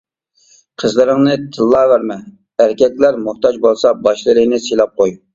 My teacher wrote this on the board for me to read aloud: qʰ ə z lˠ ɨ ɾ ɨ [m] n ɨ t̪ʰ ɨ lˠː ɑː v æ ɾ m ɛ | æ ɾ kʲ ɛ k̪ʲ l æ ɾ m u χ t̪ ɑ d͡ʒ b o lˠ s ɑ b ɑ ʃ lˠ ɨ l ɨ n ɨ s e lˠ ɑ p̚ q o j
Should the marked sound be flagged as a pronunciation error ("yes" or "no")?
yes